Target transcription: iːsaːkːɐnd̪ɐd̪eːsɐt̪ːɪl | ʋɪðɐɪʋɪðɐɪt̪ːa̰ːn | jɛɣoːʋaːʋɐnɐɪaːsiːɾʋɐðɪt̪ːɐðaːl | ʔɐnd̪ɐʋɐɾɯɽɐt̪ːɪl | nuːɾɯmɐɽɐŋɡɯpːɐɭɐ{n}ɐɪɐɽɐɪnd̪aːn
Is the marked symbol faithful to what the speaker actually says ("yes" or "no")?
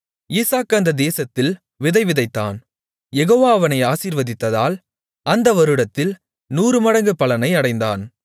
yes